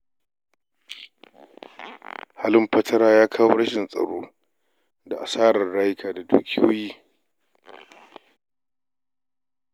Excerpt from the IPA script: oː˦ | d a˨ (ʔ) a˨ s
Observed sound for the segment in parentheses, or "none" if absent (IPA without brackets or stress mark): ʔ